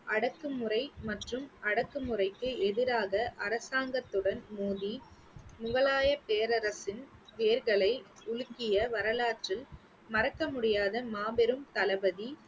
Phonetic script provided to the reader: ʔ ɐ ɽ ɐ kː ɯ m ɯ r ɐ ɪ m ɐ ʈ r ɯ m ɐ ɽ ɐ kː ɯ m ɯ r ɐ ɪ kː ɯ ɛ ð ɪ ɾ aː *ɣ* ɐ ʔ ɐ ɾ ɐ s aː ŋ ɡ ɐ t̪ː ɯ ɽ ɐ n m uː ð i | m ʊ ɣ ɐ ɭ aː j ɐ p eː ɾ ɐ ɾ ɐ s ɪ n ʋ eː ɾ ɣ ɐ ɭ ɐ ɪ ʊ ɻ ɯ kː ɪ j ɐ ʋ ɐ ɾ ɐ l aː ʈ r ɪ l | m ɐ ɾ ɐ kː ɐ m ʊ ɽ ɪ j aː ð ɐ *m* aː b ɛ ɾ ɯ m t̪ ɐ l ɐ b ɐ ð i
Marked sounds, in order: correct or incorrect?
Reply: correct, correct

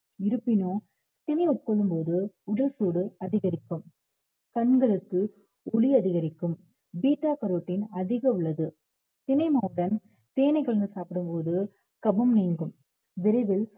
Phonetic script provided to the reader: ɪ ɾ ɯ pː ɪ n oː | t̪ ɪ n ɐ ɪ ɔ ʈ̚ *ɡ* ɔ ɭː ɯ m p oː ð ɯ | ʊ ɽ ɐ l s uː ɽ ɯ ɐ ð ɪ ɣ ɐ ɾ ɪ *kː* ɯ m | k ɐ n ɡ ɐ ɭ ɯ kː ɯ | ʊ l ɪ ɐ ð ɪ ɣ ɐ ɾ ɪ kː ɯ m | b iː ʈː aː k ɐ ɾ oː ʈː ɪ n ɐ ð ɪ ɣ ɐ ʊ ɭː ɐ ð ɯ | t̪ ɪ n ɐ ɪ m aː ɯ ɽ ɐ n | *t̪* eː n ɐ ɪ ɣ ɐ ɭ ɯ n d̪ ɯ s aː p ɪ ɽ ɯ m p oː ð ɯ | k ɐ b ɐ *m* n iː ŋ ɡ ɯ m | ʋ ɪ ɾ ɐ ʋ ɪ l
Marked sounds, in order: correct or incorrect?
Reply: incorrect, correct, correct, correct

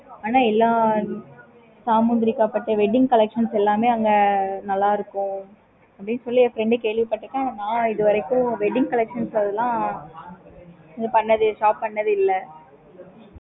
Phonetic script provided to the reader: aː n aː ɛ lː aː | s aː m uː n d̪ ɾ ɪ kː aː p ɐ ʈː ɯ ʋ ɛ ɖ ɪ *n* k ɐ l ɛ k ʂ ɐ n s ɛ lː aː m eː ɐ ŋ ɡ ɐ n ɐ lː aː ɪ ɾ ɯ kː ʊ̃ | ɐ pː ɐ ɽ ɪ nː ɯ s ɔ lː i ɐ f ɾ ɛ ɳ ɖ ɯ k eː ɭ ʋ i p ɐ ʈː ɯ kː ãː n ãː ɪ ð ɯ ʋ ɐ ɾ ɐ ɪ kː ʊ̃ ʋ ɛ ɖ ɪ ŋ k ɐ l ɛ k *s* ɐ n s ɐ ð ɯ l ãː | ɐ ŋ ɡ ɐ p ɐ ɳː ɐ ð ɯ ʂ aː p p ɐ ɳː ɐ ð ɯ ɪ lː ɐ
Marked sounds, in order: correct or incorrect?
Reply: incorrect, incorrect

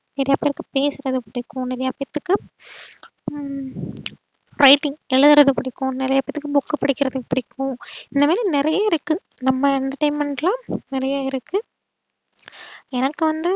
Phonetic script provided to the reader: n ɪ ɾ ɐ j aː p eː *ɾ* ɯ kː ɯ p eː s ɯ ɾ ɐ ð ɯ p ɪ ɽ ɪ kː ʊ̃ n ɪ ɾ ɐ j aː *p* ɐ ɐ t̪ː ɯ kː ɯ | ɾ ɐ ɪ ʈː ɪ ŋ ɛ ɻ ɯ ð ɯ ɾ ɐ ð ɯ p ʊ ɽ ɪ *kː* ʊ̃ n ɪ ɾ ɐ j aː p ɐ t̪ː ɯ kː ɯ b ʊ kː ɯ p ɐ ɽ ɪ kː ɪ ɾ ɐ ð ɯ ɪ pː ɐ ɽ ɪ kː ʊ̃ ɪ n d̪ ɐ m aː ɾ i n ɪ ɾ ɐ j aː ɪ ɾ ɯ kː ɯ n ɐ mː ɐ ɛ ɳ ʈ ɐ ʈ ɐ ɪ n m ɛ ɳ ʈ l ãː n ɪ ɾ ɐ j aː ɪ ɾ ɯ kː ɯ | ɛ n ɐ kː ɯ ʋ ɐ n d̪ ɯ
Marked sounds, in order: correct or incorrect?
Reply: correct, correct, correct

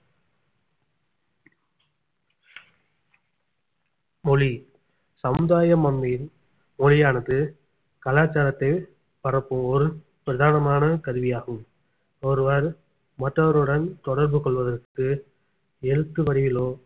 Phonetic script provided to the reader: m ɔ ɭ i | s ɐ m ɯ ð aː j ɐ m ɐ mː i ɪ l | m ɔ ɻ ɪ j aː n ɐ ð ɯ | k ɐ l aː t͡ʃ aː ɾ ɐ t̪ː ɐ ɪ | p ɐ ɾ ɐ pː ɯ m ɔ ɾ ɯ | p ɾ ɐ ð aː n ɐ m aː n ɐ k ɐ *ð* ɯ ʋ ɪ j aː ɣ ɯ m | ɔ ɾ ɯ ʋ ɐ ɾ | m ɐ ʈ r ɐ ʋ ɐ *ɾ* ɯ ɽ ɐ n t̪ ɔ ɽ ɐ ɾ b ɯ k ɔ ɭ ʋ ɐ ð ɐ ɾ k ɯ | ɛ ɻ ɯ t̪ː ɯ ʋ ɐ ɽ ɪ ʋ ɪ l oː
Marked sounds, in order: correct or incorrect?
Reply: correct, correct

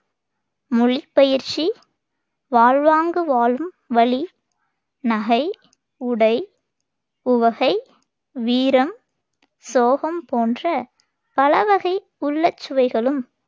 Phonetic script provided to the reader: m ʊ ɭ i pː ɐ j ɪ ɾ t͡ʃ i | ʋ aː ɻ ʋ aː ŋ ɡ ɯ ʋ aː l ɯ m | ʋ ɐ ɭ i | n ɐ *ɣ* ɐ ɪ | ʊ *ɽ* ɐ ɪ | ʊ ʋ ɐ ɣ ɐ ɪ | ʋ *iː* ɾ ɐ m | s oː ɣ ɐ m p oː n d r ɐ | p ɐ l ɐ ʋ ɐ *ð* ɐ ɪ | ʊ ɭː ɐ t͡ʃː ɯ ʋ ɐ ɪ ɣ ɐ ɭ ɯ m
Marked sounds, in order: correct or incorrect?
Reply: correct, correct, correct, incorrect

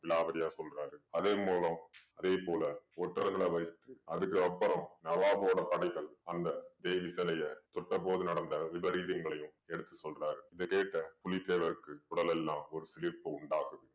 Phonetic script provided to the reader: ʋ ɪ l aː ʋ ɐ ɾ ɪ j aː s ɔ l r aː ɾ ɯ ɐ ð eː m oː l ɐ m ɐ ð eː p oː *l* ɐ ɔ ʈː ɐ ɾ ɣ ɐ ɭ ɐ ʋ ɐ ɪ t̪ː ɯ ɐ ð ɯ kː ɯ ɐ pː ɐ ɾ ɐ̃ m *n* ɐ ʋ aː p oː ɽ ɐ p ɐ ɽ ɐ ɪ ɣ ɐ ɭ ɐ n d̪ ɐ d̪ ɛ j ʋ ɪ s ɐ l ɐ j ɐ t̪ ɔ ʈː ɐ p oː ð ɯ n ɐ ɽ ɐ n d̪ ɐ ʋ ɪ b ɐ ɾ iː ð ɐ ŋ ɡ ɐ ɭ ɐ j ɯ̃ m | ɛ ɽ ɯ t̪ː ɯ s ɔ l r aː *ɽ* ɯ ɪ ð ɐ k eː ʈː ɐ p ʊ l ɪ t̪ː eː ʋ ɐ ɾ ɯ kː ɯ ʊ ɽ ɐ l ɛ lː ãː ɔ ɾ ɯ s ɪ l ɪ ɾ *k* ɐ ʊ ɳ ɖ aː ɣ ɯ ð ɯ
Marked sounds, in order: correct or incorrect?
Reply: correct, correct, incorrect, incorrect

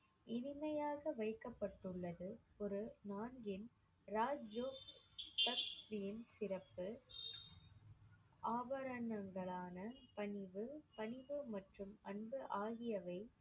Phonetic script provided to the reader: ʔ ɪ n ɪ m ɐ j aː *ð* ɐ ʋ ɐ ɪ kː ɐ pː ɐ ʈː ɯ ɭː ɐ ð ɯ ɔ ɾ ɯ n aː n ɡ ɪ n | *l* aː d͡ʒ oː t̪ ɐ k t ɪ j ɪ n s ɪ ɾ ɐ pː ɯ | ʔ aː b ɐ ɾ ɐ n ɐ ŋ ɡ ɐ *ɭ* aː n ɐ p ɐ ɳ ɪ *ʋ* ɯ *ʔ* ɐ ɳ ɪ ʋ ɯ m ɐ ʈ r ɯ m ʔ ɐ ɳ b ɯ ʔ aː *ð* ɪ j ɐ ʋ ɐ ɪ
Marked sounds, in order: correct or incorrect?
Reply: incorrect, incorrect, correct, correct, incorrect, incorrect

